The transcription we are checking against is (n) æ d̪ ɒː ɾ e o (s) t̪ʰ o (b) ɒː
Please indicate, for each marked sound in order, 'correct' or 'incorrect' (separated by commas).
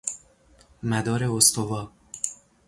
incorrect, correct, incorrect